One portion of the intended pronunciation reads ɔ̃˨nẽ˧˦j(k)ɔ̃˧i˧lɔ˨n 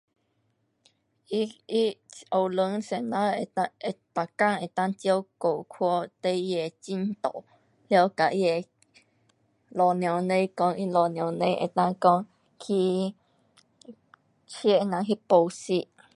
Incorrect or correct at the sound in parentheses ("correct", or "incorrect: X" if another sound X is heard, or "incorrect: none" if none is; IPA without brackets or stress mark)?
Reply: correct